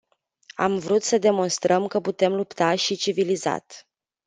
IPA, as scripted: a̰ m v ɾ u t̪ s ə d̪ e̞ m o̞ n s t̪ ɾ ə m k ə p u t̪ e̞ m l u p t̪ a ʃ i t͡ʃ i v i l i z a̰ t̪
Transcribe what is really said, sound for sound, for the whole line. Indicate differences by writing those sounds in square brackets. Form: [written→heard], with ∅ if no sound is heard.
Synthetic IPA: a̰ m v ɾ u t̪ s ə d̪ e̞ m o̞ n s t̪ ɾ ə m k ə p u t̪ e̞ m l u p t̪ a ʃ i t͡ʃ i v i l i z a̰ t̪